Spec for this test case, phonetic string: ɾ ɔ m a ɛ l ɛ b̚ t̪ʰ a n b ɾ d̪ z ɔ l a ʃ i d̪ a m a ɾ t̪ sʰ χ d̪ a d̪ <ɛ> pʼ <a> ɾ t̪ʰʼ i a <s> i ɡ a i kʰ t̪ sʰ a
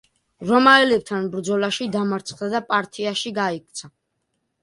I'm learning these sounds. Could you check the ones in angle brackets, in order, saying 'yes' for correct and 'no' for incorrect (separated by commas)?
no, yes, no